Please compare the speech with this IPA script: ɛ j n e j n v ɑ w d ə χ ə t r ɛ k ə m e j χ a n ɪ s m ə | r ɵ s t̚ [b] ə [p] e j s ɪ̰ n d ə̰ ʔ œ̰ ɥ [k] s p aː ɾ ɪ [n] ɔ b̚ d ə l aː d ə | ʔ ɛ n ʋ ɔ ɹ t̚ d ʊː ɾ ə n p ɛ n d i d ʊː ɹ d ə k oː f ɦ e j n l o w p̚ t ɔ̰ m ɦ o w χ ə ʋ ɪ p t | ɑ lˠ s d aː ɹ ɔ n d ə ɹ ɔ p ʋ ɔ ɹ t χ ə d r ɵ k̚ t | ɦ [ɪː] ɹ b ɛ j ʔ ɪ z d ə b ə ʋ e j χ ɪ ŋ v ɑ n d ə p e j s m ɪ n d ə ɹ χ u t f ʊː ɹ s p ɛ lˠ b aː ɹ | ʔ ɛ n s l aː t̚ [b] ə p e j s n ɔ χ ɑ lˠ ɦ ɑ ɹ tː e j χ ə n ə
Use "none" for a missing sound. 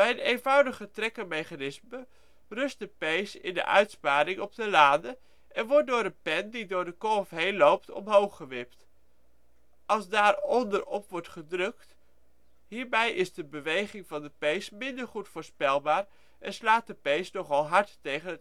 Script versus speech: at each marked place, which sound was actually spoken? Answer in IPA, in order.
d, p, t, ŋ, iː, d

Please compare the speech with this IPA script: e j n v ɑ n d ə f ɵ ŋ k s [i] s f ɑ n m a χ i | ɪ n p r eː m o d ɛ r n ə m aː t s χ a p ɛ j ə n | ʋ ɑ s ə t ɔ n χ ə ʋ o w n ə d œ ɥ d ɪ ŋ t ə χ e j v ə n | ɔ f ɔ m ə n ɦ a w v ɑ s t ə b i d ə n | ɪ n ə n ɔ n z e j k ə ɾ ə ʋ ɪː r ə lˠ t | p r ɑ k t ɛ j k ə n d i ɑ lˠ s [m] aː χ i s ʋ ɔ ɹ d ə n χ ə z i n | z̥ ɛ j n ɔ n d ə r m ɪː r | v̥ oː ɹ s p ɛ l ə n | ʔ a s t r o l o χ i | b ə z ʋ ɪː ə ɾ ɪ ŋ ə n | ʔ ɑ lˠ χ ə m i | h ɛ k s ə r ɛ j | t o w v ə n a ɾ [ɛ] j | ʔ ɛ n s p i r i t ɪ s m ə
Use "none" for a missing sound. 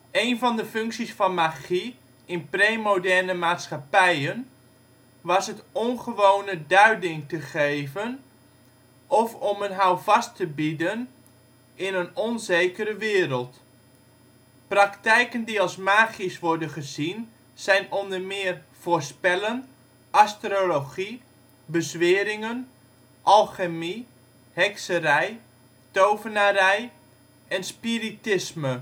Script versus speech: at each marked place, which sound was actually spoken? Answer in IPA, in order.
i, m, ɛ

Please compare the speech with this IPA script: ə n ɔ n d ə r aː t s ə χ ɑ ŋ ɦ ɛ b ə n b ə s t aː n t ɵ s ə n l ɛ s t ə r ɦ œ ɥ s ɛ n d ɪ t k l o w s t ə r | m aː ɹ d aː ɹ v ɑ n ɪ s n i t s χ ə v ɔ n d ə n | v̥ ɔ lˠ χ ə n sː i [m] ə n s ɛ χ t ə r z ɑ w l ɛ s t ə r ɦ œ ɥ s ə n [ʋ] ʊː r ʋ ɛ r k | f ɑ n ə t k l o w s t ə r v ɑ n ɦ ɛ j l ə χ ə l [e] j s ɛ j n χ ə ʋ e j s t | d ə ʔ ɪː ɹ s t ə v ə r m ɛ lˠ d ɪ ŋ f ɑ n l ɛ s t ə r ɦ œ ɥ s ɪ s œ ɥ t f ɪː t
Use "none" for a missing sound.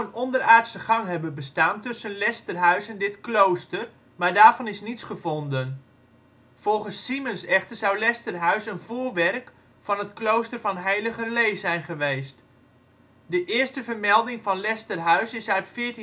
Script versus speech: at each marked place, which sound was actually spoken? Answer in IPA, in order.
m, v, e

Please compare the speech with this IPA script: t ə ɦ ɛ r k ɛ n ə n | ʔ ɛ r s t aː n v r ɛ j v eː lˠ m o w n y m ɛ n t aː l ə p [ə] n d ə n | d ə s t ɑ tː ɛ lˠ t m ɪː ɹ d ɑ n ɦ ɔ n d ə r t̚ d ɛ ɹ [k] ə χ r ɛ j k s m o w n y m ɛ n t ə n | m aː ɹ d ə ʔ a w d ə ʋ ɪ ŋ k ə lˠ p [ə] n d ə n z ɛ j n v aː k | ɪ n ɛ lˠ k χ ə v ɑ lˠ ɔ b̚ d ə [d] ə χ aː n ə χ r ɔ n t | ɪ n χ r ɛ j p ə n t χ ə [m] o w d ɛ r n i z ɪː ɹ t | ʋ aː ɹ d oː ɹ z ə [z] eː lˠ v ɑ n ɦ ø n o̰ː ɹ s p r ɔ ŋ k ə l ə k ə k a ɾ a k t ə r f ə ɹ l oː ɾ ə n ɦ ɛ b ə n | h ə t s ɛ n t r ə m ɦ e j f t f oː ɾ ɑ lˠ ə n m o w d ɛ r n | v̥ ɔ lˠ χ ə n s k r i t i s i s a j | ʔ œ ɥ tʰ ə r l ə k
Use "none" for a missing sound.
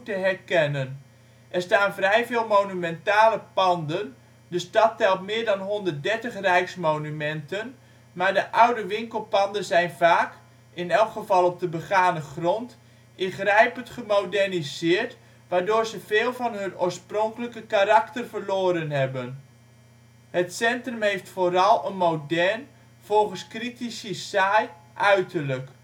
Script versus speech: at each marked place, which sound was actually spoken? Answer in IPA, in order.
ɑ, t, ɑ, b, m, v

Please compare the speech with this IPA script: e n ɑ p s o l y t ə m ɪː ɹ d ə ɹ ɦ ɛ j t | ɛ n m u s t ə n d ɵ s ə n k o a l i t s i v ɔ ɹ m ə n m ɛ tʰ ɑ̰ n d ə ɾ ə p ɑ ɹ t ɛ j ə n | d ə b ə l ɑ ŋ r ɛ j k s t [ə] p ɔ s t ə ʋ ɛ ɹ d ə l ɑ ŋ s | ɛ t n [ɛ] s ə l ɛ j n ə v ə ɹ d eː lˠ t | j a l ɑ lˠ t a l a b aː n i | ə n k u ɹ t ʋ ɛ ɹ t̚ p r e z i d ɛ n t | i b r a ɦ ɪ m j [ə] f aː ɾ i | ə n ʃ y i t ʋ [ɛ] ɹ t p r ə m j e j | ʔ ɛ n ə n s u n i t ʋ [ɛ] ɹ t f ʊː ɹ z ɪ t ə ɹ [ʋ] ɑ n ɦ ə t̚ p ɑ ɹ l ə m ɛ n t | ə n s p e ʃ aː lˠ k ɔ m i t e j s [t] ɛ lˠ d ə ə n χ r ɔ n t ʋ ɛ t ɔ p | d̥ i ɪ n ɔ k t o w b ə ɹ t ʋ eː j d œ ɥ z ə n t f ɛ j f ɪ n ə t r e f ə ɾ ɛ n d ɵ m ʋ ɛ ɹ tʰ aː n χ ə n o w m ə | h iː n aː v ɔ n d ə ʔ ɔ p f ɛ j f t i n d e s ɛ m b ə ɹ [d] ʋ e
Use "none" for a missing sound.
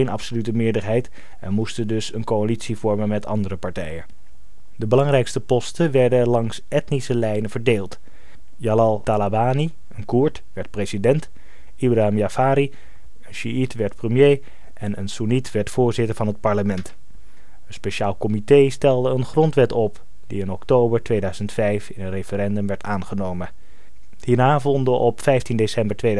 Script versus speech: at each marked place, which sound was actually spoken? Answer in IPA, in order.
ə, i, a, ɛ, ɛ, v, t, t

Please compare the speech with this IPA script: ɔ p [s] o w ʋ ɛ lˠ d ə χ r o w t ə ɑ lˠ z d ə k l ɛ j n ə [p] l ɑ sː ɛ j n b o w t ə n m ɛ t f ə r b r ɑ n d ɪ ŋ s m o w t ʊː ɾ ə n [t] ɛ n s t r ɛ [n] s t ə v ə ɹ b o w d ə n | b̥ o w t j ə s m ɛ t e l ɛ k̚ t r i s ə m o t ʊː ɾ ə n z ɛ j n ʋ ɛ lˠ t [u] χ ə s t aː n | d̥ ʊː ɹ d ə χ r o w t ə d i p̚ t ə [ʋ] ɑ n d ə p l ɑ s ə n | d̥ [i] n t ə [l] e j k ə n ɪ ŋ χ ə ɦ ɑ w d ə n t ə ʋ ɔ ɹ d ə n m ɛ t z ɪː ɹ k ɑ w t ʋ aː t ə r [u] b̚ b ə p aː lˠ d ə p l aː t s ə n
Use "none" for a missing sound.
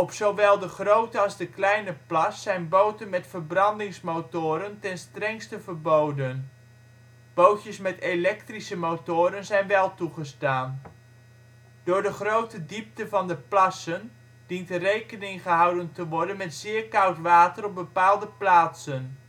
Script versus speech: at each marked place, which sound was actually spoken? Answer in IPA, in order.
s, p, t, ŋ, u, v, i, r, ɔ

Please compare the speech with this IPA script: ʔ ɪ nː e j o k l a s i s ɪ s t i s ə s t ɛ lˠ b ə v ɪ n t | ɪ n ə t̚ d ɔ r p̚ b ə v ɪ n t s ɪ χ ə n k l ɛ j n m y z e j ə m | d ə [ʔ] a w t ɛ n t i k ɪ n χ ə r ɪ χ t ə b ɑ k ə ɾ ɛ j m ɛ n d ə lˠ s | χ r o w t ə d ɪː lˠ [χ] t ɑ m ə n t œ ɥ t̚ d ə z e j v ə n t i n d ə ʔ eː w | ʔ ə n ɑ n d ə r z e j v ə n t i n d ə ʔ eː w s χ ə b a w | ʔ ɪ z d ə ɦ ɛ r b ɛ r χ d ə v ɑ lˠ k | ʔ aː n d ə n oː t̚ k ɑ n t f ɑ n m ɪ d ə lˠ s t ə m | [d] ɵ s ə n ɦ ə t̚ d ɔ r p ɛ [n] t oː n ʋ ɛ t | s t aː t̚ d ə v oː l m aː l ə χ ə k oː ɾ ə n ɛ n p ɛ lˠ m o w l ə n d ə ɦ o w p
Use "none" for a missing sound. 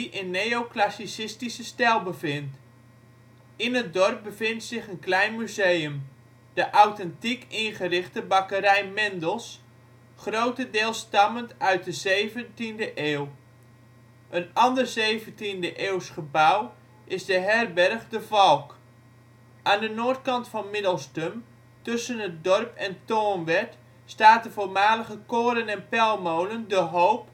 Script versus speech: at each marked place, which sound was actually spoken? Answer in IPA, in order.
ʔ, s, t, n

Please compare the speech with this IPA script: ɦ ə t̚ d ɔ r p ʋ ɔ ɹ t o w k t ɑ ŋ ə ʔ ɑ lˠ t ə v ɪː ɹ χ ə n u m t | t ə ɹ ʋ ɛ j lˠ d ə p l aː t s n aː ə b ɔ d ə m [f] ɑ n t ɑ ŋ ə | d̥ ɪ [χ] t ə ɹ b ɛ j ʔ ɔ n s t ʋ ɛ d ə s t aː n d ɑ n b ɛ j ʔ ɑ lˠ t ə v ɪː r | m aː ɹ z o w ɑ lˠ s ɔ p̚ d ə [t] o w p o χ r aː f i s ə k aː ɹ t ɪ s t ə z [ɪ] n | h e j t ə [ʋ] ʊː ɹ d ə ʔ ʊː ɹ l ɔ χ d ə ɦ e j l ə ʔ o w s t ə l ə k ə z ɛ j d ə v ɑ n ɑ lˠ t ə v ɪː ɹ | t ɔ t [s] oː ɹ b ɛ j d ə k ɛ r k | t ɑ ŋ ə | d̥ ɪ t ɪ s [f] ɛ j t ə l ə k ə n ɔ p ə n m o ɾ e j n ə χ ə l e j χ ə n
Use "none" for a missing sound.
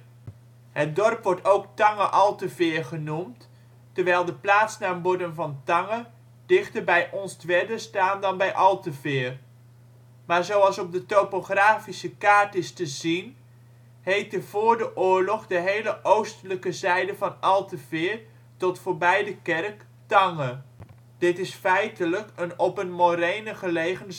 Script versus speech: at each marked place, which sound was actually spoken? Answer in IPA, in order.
v, χ, t, i, v, f, f

